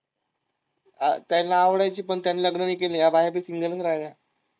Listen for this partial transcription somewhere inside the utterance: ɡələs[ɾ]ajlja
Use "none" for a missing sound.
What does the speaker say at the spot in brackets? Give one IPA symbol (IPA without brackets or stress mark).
ɾ